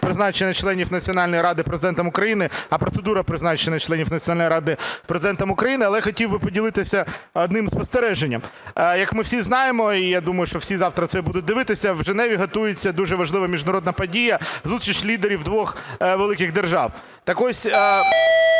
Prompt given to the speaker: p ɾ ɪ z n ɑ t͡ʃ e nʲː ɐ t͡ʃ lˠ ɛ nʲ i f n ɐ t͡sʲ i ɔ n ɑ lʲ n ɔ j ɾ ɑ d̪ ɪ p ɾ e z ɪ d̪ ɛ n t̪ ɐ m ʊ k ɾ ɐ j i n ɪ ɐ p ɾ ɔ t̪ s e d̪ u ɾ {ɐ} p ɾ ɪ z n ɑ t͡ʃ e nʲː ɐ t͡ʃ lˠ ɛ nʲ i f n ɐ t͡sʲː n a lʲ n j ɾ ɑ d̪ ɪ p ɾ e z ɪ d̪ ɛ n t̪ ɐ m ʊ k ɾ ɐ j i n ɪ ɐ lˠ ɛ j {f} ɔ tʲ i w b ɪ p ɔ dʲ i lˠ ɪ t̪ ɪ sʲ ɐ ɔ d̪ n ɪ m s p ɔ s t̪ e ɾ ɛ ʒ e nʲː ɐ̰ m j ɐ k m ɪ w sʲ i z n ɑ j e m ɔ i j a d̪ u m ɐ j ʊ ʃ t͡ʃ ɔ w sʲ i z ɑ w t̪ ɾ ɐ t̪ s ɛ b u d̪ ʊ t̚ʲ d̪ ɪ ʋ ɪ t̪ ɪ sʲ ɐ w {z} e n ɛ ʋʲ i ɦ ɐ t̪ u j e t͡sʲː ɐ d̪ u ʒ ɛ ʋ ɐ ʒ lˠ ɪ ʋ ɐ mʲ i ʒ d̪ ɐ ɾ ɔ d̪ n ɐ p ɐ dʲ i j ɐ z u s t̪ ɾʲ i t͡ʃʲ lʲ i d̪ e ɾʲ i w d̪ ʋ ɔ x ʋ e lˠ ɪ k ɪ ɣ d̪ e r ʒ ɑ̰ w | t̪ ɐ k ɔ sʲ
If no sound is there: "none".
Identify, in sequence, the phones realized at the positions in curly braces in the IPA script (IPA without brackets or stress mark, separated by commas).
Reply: ɐ, x, ʒ